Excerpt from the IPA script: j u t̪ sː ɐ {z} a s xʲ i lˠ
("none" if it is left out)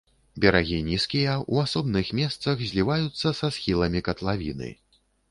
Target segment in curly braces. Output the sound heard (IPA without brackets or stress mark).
s